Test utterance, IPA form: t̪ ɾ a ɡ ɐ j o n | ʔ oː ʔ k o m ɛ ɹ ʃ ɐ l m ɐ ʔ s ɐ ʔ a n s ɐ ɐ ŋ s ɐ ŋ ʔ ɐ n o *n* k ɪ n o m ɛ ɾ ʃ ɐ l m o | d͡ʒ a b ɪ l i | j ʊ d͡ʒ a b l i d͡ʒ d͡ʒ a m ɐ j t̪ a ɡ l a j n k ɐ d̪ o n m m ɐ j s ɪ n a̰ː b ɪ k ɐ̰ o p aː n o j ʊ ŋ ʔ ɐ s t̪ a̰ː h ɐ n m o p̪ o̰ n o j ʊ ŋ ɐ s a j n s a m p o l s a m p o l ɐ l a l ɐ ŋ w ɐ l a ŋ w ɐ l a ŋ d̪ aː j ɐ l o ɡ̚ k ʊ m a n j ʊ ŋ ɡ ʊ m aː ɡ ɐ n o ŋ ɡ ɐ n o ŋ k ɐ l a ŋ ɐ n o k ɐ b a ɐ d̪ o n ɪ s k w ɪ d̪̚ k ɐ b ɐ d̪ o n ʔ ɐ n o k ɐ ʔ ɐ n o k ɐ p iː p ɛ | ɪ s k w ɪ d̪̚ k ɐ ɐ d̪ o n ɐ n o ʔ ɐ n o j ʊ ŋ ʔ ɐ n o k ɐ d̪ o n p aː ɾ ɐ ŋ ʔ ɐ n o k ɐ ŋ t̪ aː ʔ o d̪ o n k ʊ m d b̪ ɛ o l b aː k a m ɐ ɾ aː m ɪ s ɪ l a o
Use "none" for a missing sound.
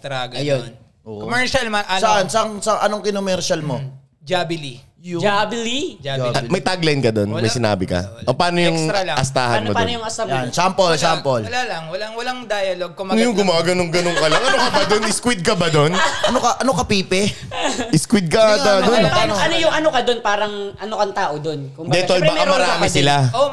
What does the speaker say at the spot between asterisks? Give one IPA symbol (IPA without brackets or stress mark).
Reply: ŋ